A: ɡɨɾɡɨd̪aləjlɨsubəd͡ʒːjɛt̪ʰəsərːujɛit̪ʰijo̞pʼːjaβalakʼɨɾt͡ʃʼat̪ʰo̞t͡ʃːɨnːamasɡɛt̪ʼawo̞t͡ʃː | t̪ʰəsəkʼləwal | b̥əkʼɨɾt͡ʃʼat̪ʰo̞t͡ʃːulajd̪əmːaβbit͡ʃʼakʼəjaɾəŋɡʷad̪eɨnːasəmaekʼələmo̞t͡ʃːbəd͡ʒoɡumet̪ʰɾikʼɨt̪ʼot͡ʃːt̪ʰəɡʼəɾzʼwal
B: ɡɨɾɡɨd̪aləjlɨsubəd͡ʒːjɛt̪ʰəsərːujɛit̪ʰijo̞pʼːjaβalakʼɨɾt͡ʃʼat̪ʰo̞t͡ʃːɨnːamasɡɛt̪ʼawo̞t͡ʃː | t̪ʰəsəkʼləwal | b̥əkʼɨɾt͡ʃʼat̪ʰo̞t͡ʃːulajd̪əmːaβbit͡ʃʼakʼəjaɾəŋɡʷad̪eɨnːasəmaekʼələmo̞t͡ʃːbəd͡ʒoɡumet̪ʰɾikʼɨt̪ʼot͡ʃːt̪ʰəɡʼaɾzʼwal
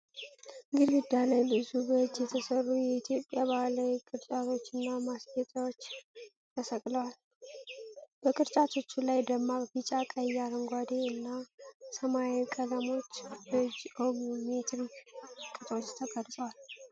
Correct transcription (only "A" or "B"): A